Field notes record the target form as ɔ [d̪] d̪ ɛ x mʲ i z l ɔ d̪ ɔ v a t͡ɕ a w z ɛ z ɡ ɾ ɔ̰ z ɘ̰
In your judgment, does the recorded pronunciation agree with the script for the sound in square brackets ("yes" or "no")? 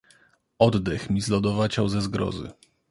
yes